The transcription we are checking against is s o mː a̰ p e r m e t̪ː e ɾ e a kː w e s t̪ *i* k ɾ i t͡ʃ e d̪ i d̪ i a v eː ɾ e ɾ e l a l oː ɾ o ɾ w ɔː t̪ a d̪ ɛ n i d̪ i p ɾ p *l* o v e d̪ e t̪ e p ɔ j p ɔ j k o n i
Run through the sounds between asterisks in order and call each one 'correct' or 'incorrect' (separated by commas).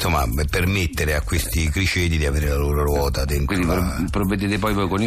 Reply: correct, incorrect